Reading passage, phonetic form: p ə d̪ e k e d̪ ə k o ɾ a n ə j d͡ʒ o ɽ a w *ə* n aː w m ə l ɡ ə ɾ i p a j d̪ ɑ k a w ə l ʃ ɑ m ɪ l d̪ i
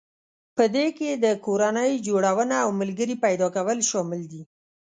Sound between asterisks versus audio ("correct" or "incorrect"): correct